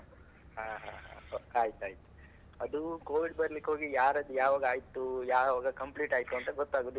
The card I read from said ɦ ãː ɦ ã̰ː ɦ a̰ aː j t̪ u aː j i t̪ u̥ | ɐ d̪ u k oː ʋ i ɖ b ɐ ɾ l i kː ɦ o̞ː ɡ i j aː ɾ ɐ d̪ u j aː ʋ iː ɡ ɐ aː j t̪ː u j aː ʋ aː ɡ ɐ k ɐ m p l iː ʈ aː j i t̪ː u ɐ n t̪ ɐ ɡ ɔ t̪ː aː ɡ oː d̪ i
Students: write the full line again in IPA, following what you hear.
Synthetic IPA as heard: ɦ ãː ɦ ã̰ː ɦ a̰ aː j t̪ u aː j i t̪ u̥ | ɐ d̪ u k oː ʋ i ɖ b ɐ ɾ l i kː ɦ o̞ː ɡ i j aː ɾ ɐ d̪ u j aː ʋ aː ɡ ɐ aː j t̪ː u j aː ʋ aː ɡ ɐ k ɐ m p l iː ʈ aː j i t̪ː u ɐ n t̪ ɐ ɡ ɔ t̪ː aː ɡ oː d̪ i

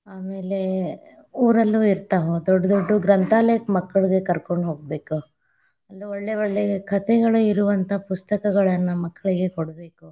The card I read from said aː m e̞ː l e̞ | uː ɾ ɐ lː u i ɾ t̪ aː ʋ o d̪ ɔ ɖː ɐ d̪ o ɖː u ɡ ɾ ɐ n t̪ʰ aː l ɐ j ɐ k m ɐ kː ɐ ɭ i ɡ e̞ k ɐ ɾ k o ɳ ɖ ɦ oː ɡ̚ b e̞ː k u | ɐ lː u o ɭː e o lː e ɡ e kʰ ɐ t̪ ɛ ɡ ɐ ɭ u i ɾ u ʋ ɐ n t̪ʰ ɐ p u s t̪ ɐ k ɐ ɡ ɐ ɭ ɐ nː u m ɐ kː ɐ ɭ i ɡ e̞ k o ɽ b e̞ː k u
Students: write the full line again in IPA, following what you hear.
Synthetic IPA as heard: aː m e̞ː l e̞ | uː ɾ ɐ lː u i ɾ t̪ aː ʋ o d̪ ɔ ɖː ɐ d̪ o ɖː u ɡ ɾ ɐ n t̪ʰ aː l ɐ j ɐ k m ɐ kː ɐ ɭ i ɡ e̞ k ɐ ɾ k o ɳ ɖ ɦ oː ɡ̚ b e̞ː k u | ɐ lː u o ɭː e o ɭː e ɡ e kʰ ɐ t̪ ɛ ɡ ɐ ɭ u i ɾ u ʋ ɐ n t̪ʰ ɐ p u s t̪ ɐ k ɐ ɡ ɐ ɭ ɐ nː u m ɐ kː ɐ ɭ i ɡ e̞ k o ɽ b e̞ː k u

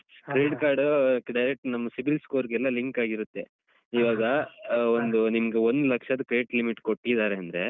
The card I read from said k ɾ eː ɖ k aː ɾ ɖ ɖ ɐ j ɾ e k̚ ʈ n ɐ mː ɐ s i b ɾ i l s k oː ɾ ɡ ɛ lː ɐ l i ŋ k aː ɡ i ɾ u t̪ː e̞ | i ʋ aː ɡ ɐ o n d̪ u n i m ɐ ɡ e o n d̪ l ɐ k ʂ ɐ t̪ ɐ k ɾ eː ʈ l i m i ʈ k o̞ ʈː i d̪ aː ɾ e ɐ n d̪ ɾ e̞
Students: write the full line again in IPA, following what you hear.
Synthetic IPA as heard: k ɾ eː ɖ k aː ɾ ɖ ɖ ɐ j ɾ e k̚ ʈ n ɐ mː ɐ s i b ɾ i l s k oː ɾ ɡ ɛ lː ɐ l i ŋ k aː ɡ i ɾ u t̪ː e̞ | i ʋ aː ɡ ɐ o n d̪ u n i m ɐ ɡ e o n d̪ l ɐ k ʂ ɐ d̪ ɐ k ɾ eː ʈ l i m i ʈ k o̞ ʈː i d̪ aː ɾ e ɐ n d̪ ɾ e̞

